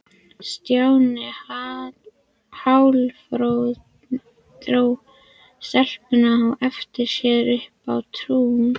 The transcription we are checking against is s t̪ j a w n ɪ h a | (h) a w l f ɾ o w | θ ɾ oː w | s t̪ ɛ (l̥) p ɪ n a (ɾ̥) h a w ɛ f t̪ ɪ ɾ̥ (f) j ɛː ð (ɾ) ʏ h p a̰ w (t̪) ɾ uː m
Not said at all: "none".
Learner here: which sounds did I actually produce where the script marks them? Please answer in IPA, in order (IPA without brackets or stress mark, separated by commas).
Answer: h, l̥, none, s, ɾ, t̪ʰ